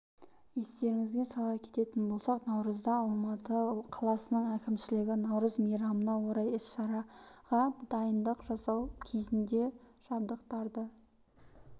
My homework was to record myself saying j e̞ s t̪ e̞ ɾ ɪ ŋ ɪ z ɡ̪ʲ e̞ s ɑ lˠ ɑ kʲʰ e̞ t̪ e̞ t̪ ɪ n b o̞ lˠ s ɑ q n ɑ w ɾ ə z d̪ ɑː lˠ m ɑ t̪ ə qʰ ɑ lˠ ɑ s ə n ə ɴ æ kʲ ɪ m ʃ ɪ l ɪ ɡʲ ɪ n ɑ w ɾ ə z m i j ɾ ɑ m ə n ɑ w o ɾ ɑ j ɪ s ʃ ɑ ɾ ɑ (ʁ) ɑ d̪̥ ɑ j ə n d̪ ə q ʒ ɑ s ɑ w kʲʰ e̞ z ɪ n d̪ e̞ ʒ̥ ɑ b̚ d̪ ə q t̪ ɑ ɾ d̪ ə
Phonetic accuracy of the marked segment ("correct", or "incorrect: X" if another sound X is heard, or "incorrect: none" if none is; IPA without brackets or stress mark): correct